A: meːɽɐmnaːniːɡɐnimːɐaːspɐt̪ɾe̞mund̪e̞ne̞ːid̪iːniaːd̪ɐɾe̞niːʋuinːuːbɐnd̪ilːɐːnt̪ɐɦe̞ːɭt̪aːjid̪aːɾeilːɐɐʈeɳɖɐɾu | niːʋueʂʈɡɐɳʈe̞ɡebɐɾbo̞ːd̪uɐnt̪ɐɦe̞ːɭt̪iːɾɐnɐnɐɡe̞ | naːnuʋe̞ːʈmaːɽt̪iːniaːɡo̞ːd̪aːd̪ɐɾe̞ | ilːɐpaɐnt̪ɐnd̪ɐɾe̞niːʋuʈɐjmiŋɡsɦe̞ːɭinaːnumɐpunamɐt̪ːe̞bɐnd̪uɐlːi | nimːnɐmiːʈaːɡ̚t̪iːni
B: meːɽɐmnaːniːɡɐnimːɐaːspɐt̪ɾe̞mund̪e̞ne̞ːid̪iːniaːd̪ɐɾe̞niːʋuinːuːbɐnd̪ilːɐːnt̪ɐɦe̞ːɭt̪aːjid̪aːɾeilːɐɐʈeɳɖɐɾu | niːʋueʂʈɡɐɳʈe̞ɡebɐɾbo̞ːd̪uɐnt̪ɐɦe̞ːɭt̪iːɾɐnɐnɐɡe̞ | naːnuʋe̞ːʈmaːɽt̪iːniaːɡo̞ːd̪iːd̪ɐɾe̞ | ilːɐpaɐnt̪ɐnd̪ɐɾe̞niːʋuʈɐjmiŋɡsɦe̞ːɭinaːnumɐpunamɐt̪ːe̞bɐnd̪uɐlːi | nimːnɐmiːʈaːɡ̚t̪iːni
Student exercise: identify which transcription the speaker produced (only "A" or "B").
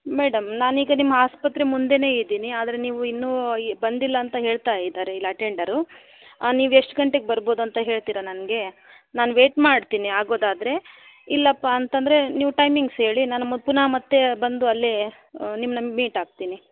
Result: A